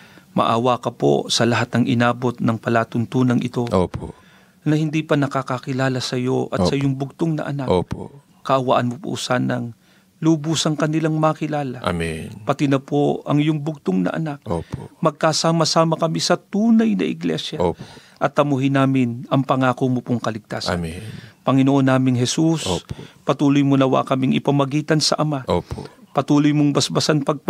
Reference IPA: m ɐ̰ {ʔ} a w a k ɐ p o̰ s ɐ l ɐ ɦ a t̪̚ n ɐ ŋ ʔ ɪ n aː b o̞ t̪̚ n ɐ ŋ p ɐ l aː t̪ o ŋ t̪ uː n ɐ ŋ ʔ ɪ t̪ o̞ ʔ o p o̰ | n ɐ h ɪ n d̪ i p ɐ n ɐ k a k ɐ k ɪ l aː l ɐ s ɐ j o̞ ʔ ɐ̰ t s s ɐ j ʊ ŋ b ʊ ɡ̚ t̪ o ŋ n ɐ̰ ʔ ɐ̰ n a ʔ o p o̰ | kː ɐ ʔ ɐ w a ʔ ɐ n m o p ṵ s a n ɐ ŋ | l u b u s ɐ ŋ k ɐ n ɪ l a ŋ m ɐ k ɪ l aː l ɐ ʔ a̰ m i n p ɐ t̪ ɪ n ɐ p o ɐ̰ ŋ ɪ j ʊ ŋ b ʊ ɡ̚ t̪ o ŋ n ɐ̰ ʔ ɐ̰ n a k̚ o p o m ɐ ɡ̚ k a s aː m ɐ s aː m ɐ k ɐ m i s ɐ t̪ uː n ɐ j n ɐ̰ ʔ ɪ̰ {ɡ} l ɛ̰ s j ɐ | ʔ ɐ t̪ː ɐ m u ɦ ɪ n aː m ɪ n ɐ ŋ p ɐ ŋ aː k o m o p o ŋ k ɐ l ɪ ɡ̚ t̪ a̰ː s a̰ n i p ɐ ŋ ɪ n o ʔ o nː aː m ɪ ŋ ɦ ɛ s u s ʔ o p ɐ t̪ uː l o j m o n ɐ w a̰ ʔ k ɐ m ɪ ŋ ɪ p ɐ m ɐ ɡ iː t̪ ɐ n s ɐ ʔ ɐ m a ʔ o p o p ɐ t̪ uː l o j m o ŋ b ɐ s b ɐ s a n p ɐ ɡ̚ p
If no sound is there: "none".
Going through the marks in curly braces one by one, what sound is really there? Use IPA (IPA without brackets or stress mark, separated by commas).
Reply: ʔ, ɡ